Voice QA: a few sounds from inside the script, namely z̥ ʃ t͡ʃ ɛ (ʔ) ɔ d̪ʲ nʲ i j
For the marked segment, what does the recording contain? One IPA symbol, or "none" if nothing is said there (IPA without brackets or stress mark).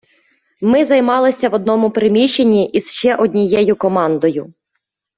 ʔ